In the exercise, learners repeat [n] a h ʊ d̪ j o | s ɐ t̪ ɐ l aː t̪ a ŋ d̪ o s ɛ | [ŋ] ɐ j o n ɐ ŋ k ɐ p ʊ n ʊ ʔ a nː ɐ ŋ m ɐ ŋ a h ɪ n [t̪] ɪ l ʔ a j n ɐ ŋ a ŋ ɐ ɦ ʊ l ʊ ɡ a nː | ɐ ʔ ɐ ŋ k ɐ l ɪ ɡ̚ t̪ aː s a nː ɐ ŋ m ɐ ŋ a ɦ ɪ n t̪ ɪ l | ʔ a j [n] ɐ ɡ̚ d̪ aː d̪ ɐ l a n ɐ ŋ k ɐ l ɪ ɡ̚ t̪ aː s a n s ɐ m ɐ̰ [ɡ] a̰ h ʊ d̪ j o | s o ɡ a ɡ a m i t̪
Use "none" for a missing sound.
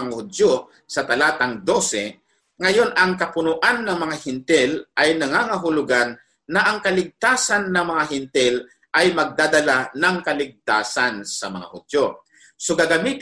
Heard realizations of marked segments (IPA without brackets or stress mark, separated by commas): ŋ, ŋ, t̪, m, ŋ